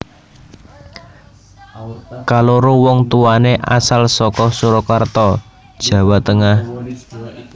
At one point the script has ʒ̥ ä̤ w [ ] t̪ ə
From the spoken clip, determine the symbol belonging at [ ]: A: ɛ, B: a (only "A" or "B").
B